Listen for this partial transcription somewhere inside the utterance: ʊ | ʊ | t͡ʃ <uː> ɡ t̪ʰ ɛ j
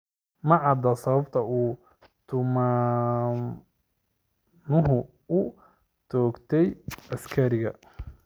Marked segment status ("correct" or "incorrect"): incorrect